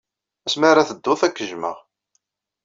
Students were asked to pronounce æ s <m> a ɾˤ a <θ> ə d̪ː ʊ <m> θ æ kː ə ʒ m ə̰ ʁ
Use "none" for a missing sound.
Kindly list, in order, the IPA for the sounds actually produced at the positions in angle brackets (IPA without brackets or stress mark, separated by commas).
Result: m, θ, none